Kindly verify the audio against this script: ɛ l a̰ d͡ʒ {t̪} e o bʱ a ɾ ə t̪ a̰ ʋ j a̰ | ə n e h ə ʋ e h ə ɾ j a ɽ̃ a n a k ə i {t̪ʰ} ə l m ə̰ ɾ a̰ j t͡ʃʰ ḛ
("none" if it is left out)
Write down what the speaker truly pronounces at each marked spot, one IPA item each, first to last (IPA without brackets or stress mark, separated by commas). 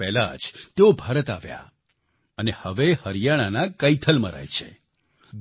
t̪, t̪ʰ